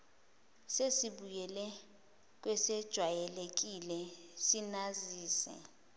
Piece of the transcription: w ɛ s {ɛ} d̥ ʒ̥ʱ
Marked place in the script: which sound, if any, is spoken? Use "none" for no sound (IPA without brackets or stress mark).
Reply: ɛ